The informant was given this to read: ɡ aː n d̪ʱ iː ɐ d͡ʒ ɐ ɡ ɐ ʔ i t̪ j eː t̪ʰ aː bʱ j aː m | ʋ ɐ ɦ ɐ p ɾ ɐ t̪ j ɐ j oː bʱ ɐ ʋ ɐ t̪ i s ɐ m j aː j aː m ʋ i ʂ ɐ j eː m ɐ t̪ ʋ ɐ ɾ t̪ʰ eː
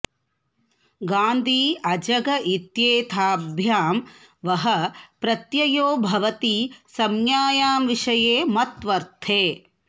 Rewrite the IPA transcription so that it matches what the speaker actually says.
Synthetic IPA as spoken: ɡ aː n d̪ʱ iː ɐ d͡ʒ ɐ ɡ ɐ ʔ i t̪ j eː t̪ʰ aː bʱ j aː m | ʋ ɐ ɦ ɐ p ɾ ɐ t̪ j ɐ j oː bʱ ɐ ʋ ɐ t̪ i s ɐ m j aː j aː m ʋ i ʂ ɐ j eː m ɐ t̪ ʋ ɐ ɾ t̪ʰ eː